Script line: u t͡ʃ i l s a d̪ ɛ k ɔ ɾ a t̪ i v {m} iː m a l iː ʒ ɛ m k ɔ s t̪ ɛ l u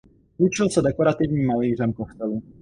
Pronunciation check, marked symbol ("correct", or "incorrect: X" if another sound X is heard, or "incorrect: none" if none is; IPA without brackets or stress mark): incorrect: ɲ